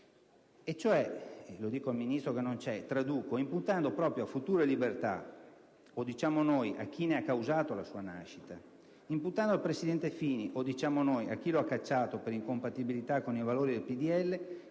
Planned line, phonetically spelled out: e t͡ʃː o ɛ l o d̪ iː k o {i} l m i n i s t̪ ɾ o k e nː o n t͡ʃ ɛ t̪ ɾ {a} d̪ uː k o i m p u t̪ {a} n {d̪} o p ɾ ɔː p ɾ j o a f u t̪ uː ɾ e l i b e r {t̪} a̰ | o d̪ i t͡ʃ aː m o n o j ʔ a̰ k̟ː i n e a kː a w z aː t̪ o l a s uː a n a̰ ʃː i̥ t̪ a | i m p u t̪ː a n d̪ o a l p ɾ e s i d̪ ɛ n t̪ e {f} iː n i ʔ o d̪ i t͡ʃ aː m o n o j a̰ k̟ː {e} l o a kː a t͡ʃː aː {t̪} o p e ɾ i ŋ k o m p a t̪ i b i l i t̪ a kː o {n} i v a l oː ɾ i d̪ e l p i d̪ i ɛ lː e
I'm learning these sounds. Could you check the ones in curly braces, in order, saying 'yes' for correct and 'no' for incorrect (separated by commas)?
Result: no, yes, yes, yes, yes, yes, no, yes, yes